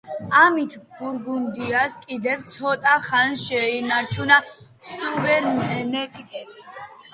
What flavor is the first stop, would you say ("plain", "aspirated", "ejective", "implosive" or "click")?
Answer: aspirated